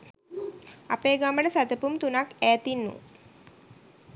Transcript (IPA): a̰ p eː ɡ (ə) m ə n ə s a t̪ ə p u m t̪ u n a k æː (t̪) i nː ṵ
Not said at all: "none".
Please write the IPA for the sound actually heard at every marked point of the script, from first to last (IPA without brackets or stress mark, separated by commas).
a, t̪